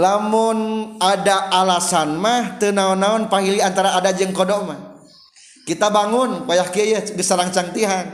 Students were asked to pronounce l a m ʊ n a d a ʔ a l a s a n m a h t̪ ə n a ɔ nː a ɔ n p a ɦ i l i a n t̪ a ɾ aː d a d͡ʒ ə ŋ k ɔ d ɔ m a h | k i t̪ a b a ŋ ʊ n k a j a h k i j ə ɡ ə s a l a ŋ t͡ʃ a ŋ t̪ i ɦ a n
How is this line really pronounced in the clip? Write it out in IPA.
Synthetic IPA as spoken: l a m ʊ n a d a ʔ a l a s a n m a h t̪ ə n a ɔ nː a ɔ n p a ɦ i l i a n t̪ a ɾ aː d a d͡ʒ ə ŋ k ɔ d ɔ m a h | k i t̪ a b a ŋ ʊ n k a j a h k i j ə ɡ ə s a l a ŋ t͡ʃ a ŋ t̪ i ɦ a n